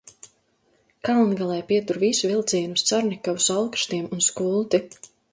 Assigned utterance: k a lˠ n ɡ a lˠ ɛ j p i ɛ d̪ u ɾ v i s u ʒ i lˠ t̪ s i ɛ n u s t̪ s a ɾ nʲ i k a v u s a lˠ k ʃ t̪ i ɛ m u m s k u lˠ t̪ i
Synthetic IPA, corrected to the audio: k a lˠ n ɡ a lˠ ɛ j p i ɛ t̪ u ɾ v i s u v i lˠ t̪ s i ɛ n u s t̪ s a ɾ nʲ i k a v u s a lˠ k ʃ t̪ i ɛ m u n s k u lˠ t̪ i